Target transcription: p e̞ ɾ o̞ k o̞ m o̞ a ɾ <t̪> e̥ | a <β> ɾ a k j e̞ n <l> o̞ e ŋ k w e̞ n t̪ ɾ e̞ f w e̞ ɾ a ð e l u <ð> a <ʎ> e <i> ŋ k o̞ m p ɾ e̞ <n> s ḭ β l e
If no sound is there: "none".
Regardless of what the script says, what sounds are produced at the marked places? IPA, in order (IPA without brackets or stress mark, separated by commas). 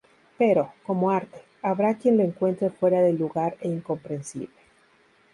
t̪, β, l, ɣ, ɾ, i, n